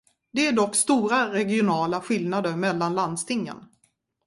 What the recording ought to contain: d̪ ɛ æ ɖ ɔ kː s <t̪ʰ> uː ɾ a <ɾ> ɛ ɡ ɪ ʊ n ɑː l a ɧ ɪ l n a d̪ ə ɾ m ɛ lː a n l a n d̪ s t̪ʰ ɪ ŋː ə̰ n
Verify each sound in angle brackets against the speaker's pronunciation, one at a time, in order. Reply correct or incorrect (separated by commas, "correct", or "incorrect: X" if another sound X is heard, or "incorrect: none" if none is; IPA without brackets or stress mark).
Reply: incorrect: t̪, correct